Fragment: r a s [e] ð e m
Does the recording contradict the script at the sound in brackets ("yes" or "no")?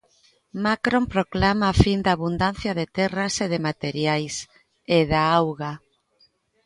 no